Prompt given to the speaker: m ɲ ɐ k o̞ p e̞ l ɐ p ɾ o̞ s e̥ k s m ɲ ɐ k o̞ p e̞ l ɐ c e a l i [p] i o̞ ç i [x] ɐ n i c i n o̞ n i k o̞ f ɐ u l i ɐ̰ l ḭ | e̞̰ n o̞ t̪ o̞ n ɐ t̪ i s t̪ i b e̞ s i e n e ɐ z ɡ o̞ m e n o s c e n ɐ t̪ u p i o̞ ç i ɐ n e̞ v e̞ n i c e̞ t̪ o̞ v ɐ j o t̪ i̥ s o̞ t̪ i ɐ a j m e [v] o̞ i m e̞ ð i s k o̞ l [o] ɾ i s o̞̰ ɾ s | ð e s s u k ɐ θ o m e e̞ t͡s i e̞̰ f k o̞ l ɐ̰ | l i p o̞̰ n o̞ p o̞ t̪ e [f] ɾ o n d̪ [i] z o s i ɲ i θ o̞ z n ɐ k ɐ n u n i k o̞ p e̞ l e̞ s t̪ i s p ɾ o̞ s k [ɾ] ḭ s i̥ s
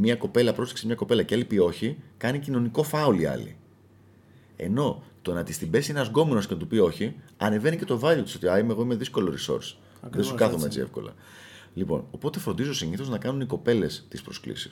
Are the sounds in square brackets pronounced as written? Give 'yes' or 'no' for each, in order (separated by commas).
yes, no, no, yes, yes, yes, no